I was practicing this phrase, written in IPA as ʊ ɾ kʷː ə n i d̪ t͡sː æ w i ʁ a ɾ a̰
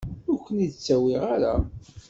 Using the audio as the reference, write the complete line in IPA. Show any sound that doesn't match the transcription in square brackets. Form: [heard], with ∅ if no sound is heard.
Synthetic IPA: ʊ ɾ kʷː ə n i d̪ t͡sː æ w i ʁ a ɾ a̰